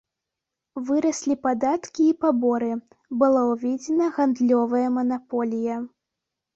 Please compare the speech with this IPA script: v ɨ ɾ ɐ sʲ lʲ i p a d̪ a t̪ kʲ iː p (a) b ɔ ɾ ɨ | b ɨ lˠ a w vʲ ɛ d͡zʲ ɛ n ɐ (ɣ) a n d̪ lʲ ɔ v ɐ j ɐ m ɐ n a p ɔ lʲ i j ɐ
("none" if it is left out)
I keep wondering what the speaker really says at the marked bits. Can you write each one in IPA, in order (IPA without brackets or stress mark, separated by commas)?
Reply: a, ɣ